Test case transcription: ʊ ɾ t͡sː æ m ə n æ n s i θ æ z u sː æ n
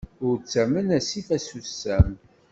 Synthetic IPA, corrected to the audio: ʊ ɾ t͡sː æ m ə n æ s i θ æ s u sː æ m